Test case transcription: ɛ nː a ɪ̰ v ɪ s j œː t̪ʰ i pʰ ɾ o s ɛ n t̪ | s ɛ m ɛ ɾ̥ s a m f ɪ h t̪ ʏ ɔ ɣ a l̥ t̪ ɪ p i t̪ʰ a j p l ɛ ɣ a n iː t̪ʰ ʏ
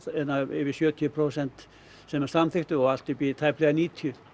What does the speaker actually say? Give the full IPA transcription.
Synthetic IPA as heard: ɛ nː a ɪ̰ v ɪ s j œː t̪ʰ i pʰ ɾ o s ɛ n t̪ | s ɛ m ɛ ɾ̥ s a m θ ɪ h t̪ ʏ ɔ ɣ a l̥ t̪ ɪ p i t̪ʰ a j p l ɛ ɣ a n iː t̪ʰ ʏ

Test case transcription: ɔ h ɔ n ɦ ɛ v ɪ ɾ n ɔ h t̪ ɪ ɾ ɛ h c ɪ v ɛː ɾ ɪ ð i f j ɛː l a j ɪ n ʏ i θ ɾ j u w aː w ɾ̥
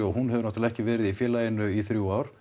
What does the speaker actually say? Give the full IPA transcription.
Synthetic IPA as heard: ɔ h u n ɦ ɛ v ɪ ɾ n ɔ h t̪ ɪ l ɛ h c ɪ v ɛː ɾ ɪ ð i f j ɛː l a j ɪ n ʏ i θ ɾ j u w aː w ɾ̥

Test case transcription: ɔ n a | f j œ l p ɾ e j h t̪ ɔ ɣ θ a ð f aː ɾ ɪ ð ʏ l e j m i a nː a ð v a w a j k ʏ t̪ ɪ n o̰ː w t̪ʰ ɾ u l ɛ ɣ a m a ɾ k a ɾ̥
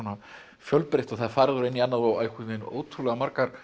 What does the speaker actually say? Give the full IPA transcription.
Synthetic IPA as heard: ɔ n a | f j œ l p ɾ e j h t̪ ɔ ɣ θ a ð f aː ɾ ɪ ð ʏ ɾ e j n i a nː a ð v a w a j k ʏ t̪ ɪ n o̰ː w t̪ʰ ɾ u l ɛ ɣ a m a ɾ k a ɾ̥

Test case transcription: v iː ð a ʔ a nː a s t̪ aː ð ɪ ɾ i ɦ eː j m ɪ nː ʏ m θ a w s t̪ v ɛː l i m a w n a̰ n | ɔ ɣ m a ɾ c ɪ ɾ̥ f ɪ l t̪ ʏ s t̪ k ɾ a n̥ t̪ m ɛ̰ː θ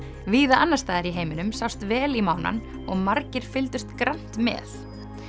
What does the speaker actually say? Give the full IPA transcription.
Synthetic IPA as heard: v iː ð a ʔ a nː a s t̪ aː ð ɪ ɾ i ɦ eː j m ɪ n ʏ m s a w s t̪ v ɛː l i m a w n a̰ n | ɔ ɣ m a ɾ c ɪ ɾ̥ f ɪ l t̪ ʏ s t̪ k ɾ a n̥ t̪ m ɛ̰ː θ

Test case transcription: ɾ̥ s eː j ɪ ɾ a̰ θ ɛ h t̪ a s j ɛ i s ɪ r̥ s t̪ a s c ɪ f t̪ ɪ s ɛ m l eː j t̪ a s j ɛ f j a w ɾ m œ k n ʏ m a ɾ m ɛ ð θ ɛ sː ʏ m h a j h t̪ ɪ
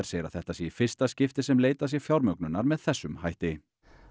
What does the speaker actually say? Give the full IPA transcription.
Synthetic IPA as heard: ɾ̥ s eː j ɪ ɾ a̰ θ ɛ h t̪ a s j ɛ i f ɪ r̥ s t̪ a s c ɪ f t̪ ɪ s ɛ m l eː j t̪ a s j ɛ f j a w ɾ m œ k n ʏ n a ɾ m ɛ ð θ ɛ sː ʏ m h a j h t̪ ɪ

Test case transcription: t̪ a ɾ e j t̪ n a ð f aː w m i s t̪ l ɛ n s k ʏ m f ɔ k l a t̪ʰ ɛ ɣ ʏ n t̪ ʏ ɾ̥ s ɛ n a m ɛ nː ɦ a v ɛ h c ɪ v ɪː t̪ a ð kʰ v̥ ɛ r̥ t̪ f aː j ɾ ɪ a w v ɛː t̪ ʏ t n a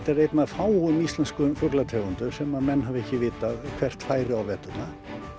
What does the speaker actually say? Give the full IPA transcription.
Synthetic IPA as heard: t̪ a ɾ e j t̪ n a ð f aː w m i s t̪ l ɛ n s k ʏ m f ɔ k l a t̪ʰ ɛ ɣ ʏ n t̪ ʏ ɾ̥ s ɛ m a m ɛ nː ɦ a v ɛ h c ɪ v ɪː t̪ a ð kʰ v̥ ɛ r̥ t̪ f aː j ɾ ɪ a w v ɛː t̪ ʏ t n a

